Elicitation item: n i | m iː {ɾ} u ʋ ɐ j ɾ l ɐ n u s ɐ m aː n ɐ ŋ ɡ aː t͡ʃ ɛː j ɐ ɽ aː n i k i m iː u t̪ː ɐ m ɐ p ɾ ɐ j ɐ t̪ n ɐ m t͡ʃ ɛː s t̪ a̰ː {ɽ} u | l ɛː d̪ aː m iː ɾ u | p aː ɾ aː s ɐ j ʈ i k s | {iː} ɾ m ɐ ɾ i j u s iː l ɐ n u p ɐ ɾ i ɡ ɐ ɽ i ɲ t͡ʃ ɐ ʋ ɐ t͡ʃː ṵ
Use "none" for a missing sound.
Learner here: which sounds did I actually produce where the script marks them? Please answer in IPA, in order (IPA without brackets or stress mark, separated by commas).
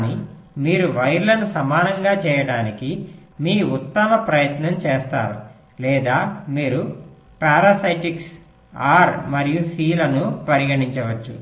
ɾ, ɾ, aː